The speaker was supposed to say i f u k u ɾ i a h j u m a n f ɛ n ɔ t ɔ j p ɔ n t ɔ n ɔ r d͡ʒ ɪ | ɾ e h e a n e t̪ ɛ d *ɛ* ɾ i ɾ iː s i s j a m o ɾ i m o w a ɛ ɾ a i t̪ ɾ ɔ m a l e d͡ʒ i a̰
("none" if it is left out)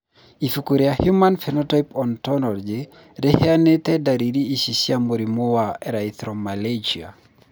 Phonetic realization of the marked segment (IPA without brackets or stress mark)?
a